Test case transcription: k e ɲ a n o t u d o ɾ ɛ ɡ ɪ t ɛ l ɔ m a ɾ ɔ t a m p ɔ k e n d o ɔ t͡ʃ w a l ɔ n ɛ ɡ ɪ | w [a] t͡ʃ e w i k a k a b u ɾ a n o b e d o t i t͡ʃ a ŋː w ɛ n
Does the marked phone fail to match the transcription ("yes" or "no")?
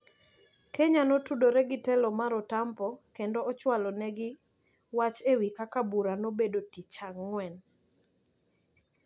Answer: no